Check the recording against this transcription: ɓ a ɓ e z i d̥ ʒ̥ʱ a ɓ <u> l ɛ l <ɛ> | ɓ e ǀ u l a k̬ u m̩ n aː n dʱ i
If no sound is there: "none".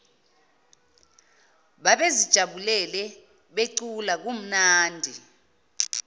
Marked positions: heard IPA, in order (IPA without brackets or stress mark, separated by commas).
u, ɛ